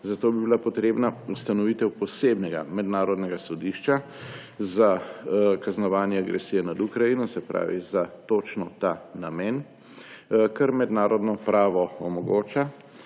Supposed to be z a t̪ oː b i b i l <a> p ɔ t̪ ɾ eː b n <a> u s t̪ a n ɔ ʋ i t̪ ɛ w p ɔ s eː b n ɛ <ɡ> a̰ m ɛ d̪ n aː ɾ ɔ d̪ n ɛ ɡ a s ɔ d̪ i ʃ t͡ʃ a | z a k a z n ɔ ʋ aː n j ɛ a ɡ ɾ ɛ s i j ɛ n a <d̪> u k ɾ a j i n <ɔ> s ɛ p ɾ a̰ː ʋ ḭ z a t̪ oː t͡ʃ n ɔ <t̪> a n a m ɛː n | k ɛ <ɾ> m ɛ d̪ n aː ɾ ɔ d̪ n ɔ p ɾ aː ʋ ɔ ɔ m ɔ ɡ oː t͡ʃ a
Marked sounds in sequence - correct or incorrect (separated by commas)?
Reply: correct, correct, correct, correct, correct, correct, correct